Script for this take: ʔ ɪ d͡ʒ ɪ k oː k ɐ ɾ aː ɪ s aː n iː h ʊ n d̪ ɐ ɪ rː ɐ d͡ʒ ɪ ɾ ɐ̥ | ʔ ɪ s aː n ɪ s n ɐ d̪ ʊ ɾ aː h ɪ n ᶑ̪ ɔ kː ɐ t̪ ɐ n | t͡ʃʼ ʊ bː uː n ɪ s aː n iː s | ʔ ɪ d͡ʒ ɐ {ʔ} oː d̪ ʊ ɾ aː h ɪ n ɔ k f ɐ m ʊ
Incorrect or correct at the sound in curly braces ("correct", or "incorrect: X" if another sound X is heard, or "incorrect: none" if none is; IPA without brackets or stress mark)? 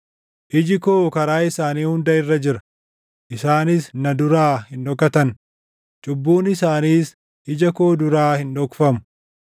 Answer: incorrect: k